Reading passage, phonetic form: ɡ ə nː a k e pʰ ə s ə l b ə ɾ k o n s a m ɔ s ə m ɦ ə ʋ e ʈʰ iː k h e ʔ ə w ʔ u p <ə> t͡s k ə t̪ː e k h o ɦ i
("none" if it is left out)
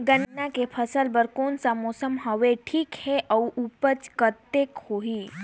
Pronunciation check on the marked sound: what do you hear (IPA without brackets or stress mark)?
ə